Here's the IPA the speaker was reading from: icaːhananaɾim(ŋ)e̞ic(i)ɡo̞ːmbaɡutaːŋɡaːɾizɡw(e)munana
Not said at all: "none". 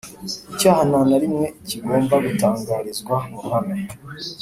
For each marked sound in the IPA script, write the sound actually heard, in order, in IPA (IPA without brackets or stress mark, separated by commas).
ŋ, i, a